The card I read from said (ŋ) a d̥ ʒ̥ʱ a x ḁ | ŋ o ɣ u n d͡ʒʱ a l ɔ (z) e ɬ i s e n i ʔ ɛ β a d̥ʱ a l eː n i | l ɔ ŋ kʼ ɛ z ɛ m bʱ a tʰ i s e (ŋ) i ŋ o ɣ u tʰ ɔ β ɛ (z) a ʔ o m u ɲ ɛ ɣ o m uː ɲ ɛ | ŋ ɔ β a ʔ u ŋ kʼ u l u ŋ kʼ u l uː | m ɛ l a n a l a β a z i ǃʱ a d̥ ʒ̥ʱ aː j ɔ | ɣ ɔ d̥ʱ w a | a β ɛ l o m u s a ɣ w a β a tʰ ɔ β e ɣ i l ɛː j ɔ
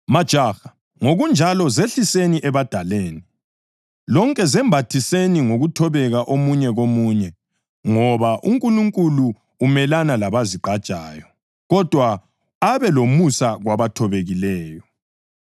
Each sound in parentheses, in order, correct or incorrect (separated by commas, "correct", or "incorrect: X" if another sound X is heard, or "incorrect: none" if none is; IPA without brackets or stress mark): incorrect: m, correct, incorrect: n, incorrect: ɣ